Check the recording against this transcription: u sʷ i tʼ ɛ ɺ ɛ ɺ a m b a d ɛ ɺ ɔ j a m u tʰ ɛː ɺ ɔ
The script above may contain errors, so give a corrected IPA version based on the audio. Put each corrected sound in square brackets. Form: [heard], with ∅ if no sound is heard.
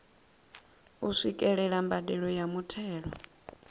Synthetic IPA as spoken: u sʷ i [kʼ] ɛ ɺ ɛ ɺ a m b a d ɛ ɺ ɔ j a m u tʰ ɛː ɺ ɔ